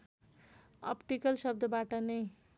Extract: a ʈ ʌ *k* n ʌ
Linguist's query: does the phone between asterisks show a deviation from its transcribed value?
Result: yes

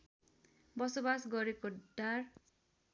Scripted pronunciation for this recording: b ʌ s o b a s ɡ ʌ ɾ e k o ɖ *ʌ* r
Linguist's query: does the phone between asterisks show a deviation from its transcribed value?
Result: yes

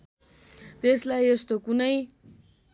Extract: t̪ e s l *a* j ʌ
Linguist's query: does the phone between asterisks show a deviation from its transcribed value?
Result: no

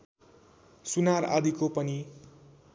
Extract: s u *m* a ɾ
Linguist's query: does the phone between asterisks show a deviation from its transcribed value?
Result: yes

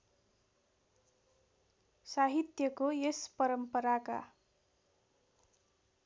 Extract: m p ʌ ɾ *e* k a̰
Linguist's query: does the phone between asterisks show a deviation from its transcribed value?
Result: yes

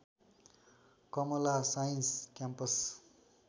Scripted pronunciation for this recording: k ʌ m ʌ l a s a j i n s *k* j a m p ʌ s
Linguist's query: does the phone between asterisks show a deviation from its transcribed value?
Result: no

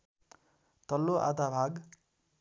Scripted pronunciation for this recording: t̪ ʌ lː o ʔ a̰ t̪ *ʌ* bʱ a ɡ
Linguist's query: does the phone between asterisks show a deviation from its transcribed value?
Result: yes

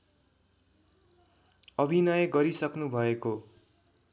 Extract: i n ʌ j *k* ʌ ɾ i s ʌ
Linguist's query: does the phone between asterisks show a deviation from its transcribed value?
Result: yes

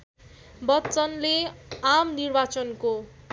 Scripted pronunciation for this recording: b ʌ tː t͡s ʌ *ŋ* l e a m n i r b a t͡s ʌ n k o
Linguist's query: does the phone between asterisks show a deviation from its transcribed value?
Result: yes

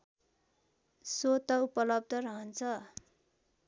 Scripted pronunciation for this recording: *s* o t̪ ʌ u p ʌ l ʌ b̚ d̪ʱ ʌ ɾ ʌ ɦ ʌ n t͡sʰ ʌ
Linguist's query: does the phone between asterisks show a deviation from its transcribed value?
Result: no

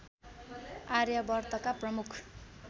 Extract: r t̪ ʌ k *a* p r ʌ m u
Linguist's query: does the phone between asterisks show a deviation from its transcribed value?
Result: no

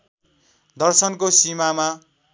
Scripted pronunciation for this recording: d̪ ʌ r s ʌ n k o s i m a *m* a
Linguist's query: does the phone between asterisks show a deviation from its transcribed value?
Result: no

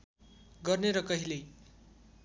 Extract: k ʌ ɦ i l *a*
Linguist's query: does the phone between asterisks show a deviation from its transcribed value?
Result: yes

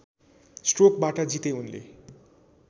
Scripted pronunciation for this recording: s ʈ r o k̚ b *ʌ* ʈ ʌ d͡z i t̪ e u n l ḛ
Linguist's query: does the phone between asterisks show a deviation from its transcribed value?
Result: yes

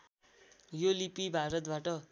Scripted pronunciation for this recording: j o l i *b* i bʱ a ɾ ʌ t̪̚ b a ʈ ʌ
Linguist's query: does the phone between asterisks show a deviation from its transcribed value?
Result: yes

